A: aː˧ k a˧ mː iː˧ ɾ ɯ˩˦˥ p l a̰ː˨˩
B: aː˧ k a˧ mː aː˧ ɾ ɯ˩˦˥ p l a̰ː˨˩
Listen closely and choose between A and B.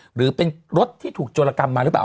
B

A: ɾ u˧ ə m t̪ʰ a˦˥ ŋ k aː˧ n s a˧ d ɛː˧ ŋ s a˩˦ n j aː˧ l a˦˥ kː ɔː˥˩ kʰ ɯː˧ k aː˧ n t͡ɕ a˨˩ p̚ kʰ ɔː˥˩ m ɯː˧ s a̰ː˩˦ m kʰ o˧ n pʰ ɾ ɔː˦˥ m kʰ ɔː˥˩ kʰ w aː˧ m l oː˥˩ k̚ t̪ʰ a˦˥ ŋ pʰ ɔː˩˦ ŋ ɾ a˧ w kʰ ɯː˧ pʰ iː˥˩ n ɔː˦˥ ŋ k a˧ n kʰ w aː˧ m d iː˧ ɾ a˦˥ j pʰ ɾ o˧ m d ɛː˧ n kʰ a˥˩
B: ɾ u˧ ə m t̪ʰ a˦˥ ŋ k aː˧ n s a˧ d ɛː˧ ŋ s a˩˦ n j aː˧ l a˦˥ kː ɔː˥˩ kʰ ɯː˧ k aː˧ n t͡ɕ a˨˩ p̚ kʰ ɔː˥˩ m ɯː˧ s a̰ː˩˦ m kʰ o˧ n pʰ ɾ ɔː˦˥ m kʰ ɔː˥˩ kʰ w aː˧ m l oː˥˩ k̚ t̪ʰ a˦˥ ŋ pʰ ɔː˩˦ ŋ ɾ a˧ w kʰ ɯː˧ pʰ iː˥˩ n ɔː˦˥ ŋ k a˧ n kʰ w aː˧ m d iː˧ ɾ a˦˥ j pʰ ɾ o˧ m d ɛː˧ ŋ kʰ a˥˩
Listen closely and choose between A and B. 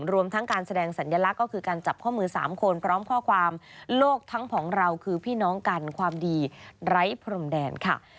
A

